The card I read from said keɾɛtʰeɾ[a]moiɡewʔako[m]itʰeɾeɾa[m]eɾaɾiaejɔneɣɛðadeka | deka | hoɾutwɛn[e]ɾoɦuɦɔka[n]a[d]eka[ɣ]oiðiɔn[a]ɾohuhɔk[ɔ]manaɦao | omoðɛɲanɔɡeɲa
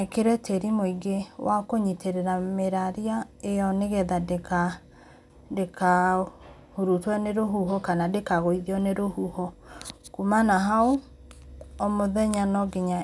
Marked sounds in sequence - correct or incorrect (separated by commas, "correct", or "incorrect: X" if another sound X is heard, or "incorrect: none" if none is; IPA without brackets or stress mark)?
incorrect: i, incorrect: ɲ, correct, correct, correct, correct, correct, incorrect: e, incorrect: u